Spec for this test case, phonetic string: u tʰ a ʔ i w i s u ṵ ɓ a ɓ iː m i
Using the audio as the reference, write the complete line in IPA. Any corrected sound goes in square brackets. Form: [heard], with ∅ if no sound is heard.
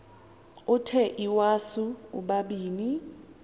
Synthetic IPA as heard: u tʰ [ɛ] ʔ i w [a] s u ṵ ɓ a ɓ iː [n] i